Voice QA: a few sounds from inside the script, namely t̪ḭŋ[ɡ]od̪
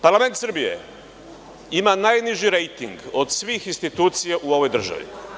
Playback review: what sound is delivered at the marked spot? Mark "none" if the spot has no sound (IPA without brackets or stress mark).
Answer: ɡ